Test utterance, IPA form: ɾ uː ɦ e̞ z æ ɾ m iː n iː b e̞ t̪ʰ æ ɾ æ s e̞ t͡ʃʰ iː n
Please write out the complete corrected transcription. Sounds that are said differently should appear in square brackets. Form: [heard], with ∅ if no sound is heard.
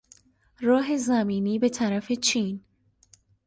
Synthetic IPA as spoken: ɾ [ɒː] ɦ e̞ z æ [∅] m iː n iː b e̞ t̪ʰ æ ɾ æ [f] e̞ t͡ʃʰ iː n